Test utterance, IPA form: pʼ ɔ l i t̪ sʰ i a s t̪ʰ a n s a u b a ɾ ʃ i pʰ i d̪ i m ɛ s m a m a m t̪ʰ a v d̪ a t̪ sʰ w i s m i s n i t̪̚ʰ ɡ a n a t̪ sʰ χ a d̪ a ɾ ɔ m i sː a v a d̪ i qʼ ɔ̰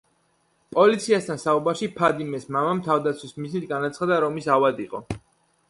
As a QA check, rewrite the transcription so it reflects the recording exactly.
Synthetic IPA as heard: pʼ ɔ l i t̪ sʰ i a s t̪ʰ a n s a u b a ɾ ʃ i pʰ a d̪ i m ɛ s m a m a m t̪ʰ a v d̪ a t̪ sʰ w i s m i z n i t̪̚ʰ ɡ a n a t̪ sʰ χ a d̪ a ɾ ɔ m i s a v a d̪ i qʼ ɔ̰